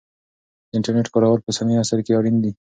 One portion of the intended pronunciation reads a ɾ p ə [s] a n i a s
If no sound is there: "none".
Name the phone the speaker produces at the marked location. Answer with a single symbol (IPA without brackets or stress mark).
s